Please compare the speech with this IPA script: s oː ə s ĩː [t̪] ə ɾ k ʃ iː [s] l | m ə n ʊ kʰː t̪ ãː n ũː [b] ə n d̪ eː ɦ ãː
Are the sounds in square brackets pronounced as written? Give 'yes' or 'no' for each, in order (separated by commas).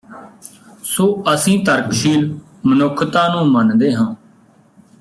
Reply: yes, no, no